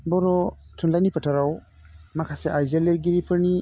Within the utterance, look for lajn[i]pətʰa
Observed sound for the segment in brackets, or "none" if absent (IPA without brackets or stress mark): i